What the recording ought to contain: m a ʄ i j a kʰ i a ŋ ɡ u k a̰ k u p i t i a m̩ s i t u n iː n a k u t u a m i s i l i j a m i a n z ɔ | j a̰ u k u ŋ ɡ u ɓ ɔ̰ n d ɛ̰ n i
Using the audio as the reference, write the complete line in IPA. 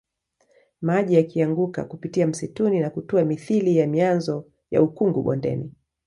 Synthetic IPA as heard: m a ʄ i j a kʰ i a ŋ ɡ u k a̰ k u p i t i a m̩ s i t u n i n a k u t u a m i θ i l i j a m i a n z ɔ | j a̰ u k u ŋ ɡ u ɓ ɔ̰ n d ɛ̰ n i